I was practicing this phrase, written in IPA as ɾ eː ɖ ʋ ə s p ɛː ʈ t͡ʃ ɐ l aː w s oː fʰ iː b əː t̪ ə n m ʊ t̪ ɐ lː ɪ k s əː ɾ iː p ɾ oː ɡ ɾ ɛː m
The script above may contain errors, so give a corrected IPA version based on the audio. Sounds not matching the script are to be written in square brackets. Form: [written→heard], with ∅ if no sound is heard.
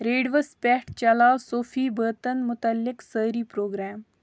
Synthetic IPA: ɾ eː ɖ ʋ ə s p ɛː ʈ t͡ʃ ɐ l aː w s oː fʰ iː b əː t̪ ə n m ʊ t̪ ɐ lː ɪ k s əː ɾ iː p ɾ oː ɡ ɾ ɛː m

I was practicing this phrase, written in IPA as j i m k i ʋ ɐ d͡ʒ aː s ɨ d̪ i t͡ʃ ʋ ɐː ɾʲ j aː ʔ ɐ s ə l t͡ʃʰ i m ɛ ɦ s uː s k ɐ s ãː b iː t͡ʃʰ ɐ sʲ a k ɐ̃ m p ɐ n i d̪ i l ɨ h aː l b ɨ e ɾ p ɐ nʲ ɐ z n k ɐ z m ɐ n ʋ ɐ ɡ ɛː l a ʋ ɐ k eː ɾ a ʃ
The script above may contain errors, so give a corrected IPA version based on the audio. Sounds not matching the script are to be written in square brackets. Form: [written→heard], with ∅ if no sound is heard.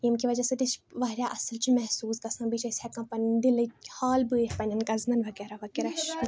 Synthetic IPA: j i m k i ʋ ɐ d͡ʒ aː s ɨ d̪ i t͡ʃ ʋ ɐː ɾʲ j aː ʔ ɐ s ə l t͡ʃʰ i m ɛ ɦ s uː s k ɐ s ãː b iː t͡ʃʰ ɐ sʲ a k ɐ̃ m p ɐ n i d̪ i l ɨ h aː l b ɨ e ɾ p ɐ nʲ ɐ [z→∅] n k ɐ z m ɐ n ʋ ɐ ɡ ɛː [l→ɾ] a ʋ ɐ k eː ɾ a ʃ

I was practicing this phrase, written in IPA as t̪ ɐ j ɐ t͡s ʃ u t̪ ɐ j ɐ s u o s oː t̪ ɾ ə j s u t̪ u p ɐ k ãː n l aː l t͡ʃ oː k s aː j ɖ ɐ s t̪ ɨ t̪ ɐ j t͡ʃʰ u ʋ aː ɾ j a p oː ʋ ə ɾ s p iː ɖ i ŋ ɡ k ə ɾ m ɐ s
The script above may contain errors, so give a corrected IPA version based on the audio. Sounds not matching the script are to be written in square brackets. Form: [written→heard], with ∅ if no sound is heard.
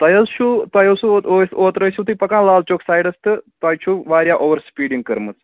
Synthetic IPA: t̪ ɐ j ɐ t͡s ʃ u t̪ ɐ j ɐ s u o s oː t̪ ɾ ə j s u t̪ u p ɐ k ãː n l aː l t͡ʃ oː k s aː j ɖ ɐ s t̪ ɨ t̪ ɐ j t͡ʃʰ u ʋ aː ɾ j a [p→ʔ] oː ʋ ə ɾ s p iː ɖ i ŋ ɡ k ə ɾ m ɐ [s→t͡s]

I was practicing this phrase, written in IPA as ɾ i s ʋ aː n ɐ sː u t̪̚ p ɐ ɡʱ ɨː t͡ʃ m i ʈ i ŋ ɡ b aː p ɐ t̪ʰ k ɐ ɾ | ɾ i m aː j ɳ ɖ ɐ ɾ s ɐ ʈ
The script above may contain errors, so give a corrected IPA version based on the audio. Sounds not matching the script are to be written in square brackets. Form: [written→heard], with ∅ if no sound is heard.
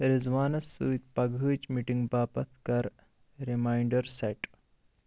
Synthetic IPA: ɾ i [s→z] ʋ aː n ɐ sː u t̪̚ p ɐ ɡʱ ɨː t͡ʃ m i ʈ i ŋ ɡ b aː p ɐ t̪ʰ k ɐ ɾ | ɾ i m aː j ɳ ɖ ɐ ɾ s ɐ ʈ

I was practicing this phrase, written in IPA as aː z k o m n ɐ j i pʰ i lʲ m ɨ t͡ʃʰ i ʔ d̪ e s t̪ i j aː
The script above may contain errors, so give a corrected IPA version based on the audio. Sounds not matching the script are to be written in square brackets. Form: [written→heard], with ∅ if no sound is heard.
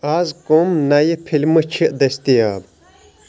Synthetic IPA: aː z k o m n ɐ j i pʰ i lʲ m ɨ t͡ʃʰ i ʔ d̪ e s t̪ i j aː

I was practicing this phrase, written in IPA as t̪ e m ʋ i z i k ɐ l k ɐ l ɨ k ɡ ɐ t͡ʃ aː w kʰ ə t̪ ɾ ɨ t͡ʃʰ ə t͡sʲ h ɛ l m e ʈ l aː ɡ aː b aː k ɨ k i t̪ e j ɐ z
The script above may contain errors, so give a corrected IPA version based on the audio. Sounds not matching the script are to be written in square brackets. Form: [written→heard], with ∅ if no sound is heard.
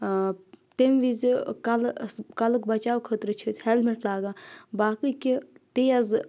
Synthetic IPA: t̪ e m ʋ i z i k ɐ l k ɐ l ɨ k [ɡ→b] ɐ t͡ʃ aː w kʰ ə t̪ ɾ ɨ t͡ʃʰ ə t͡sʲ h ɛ l m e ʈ l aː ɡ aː b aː k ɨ k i t̪ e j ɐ z

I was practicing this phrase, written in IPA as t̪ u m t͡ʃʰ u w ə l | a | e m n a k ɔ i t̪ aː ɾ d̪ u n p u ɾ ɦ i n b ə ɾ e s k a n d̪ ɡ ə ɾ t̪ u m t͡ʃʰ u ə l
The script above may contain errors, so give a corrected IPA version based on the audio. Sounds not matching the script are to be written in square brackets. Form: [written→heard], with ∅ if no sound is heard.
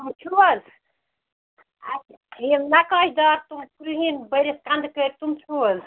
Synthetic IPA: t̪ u m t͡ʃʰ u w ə l | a | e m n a k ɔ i [t̪→d̪] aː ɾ [d̪→t̪] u [n→m] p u ɾ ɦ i n b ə ɾ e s k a n d̪ [ɡ→k] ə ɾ t̪ u m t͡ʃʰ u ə l

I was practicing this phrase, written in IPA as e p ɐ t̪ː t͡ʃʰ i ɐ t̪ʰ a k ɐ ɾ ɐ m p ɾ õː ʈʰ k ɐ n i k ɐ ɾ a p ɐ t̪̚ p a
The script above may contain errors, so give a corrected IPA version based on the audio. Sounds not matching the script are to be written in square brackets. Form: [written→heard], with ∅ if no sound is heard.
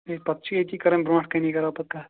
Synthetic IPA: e p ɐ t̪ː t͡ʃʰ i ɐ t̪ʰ [a→i] k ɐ ɾ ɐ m [p→b] ɾ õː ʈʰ k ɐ n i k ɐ ɾ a p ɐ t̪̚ [p→k] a

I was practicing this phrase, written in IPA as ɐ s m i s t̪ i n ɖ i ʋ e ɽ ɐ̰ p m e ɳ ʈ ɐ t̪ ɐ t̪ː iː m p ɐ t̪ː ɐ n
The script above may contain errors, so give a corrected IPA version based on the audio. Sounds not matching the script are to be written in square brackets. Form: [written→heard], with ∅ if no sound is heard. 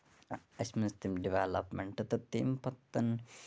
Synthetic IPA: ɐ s m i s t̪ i [n→m] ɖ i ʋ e [ɽ→l] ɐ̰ p m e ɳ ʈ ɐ t̪ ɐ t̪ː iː m p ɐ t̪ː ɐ n

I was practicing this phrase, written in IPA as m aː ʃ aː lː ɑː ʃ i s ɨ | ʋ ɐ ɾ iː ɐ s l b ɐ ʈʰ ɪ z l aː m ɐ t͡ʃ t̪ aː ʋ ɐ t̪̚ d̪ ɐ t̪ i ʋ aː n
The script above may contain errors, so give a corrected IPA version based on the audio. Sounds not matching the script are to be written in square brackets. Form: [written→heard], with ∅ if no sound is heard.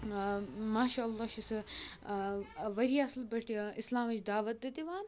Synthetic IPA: m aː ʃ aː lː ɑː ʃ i s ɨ | ʋ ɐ ɾ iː ɐ s l b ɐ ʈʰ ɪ [z→s] l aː m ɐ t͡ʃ [t̪→d̪] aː ʋ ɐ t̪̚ d̪ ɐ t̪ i ʋ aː n

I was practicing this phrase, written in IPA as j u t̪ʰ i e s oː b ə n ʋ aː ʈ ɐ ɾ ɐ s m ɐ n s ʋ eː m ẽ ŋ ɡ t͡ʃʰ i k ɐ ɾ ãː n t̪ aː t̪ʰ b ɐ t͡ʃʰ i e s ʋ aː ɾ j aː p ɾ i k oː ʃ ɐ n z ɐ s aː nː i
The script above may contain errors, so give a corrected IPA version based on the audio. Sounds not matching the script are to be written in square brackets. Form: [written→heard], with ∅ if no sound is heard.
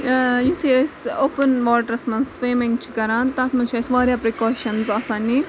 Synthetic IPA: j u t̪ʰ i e s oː [b→p] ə n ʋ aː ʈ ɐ ɾ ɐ s m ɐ n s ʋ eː m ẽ ŋ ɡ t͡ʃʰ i k ɐ ɾ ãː n t̪ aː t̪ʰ [b→m] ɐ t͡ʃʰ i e s ʋ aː ɾ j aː p ɾ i k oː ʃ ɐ n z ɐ s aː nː i

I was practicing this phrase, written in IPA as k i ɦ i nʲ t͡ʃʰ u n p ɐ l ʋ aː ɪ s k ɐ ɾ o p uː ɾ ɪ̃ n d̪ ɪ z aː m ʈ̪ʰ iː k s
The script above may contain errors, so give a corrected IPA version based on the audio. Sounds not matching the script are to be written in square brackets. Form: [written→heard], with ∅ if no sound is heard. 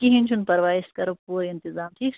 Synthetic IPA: k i ɦ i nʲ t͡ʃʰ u n p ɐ [l→ɾ] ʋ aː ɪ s k ɐ ɾ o p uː ɾ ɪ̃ n [d̪→t̪] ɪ z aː m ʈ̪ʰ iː k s

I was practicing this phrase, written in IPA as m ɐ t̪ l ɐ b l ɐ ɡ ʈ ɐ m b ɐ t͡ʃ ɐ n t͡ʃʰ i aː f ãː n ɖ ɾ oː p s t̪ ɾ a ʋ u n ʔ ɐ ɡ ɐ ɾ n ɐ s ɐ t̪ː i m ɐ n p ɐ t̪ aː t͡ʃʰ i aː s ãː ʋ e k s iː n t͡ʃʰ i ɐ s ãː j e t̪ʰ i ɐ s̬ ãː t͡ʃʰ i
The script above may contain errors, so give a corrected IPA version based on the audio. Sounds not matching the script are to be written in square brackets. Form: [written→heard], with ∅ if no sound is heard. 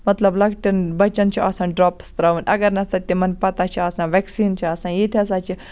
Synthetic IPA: m ɐ t̪ l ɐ b l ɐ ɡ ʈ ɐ [m→n] b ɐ t͡ʃ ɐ n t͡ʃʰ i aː [f→s] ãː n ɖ ɾ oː p s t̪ ɾ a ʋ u n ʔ ɐ ɡ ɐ ɾ n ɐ s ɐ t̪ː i m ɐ n p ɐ t̪ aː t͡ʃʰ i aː s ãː ʋ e k s iː n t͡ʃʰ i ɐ s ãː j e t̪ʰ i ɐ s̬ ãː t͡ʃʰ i

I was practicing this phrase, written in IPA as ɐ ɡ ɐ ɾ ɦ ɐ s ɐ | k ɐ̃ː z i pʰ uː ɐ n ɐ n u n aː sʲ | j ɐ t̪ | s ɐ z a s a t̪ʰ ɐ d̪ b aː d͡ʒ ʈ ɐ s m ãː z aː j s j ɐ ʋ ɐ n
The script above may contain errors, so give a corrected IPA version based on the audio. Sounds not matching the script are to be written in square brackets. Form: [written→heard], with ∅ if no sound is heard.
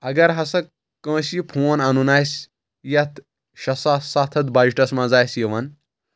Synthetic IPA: ɐ ɡ ɐ ɾ ɦ ɐ s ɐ | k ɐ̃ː [z→s] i pʰ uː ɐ n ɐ n u n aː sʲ | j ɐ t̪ | [s→ʃ] ɐ [z→s] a s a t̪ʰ ɐ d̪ b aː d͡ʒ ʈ ɐ s m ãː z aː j s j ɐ ʋ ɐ n

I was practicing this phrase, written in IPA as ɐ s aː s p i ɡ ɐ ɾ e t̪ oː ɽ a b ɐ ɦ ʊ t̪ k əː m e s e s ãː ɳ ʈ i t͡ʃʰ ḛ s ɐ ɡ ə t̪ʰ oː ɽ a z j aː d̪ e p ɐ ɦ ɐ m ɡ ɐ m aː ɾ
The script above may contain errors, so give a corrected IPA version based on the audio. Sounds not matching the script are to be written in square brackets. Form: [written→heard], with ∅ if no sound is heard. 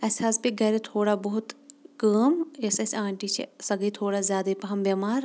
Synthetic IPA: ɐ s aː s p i ɡ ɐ ɾ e [t̪→t̪ʰ] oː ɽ a b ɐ ɦ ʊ t̪ k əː m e s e s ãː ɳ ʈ i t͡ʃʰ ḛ s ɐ ɡ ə t̪ʰ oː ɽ a z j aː d̪ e p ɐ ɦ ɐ m [ɡ→b] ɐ m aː ɾ

